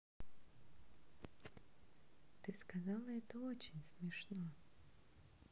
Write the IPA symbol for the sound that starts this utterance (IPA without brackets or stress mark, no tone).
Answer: t̪